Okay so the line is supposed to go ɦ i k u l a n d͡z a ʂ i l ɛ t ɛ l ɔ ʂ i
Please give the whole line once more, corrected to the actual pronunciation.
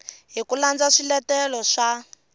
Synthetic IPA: ɦ i k u l a n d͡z a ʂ i l ɛ t ɛ l ɔ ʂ a